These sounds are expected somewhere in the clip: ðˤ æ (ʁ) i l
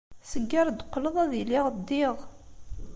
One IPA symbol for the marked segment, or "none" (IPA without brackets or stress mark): ð